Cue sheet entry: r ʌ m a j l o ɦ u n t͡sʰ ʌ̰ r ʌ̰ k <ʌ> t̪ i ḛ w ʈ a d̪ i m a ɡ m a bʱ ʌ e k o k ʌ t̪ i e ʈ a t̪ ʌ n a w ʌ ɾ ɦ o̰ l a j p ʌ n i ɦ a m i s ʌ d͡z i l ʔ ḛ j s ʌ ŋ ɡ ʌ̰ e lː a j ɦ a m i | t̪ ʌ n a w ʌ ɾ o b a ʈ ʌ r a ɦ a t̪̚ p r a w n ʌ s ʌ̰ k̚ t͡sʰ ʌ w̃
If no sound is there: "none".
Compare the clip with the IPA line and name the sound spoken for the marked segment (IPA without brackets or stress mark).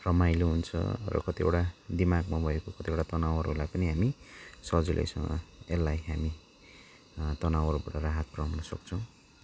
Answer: ʌ